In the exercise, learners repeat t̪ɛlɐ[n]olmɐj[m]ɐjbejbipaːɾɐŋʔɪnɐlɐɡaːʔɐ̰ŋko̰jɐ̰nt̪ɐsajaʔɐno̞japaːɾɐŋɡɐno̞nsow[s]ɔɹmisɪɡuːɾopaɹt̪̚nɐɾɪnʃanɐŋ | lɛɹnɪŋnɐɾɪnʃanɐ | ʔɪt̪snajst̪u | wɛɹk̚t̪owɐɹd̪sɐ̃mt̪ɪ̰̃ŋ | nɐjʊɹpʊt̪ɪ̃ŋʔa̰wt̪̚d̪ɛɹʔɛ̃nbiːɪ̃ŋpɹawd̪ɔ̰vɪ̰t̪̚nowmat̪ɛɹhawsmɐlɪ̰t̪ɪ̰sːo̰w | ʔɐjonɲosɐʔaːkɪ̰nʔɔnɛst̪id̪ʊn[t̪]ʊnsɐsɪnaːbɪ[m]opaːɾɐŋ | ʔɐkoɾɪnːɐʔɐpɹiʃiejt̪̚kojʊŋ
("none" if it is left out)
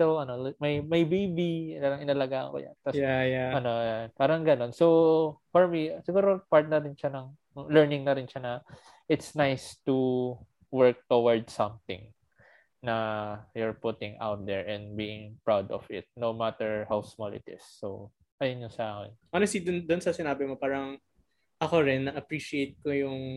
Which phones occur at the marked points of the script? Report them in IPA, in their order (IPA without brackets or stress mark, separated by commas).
n, m, f, d̪, m